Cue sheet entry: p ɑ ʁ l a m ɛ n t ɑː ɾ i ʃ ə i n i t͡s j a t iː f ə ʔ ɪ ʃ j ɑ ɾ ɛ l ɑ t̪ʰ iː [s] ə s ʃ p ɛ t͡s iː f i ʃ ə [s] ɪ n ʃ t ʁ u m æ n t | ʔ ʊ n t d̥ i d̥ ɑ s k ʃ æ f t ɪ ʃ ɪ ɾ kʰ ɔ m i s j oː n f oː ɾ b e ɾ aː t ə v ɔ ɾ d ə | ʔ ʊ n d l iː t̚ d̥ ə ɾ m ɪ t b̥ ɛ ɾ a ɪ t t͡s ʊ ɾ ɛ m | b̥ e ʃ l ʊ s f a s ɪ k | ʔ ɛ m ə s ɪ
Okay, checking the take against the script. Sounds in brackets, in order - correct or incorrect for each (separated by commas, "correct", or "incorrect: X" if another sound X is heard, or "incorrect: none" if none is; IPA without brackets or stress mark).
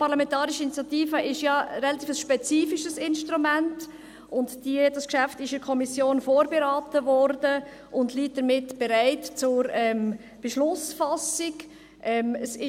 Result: incorrect: f, correct